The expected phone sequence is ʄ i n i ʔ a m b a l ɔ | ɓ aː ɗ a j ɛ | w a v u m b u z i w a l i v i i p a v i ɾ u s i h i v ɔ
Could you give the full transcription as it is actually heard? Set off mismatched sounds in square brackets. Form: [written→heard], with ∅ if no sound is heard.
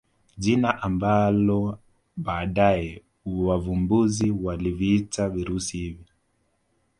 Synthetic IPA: ʄ i n [i→a] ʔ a m b a l ɔ | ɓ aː ɗ a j ɛ | w a v u m b u z i w a l i v i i [p→t] a v i ɾ u s i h i v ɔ